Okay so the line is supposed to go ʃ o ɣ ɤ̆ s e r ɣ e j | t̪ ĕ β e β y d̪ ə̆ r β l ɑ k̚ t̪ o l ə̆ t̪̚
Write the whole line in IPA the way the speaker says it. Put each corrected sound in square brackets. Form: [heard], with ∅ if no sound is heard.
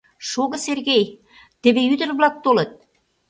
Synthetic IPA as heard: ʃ o ɣ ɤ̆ s e r ɣ e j | t̪ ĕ β e [∅] y d̪ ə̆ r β l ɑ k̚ t̪ o l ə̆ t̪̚